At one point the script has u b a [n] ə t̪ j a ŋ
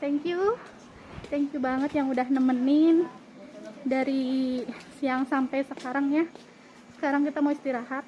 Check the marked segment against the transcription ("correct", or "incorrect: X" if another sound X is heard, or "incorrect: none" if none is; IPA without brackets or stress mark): incorrect: ŋ